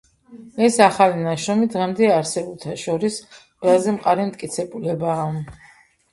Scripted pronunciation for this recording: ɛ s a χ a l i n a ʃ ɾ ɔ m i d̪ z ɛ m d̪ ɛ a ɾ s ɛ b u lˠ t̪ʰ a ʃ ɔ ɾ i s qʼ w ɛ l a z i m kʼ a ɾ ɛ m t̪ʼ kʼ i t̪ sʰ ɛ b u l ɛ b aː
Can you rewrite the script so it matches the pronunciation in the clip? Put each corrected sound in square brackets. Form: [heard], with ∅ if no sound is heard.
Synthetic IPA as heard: ɛ s a χ a l i n a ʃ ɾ ɔ m i d̪ [ʁ] ɛ m d̪ ɛ a ɾ s ɛ b u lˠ t̪ʰ a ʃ ɔ ɾ i s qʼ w ɛ l a z [ɛ] m [qʼ] a ɾ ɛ m t̪ʼ kʼ i t̪ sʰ ɛ b u l ɛ b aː